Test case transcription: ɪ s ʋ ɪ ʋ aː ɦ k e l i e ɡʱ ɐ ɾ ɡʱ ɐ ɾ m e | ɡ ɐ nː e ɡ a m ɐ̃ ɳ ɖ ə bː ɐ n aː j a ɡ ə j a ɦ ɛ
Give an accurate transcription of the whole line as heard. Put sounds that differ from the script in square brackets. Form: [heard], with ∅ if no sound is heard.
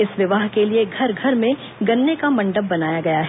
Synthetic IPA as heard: ɪ s ʋ ɪ ʋ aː ɦ k e l i e ɡʱ ɐ ɾ ɡʱ ɐ ɾ m [ẽ] | ɡ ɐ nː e [k] a m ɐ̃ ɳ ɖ ə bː ɐ n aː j a ɡ [ɐ] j a ɦ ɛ